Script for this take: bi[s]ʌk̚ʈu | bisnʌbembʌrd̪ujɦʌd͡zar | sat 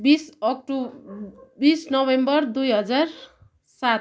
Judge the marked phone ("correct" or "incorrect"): correct